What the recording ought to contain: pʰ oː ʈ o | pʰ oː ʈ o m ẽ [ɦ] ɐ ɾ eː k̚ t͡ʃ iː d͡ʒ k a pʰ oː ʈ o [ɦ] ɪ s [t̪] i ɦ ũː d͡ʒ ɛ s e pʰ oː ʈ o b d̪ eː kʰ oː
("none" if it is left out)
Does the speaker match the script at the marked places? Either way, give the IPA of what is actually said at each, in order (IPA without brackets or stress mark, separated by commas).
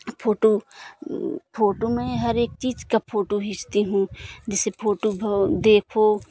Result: ɦ, ɦ, t̪